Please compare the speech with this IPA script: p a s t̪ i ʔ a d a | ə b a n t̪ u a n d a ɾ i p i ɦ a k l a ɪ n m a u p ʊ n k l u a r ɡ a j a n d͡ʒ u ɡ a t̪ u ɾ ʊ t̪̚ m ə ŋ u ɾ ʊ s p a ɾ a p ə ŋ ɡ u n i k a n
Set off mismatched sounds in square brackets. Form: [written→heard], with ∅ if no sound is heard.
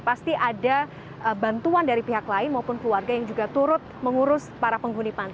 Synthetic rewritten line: p a s t̪ i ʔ a d a | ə b a n t̪ u a n d a ɾ i p i ɦ a k l a ɪ n m a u p ʊ n k l u a r ɡ a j a [n→ŋ] d͡ʒ u ɡ a t̪ u ɾ ʊ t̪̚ m ə ŋ u ɾ ʊ s p a ɾ a p ə ŋ ɡ u n i [k→p] a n